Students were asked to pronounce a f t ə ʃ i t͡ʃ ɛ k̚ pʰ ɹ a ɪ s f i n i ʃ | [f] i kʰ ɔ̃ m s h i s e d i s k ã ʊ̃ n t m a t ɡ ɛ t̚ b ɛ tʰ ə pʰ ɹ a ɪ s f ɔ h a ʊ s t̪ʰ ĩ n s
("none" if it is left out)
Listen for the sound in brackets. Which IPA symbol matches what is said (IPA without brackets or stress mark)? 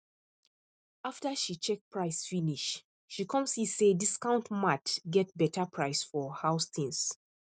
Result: ʃ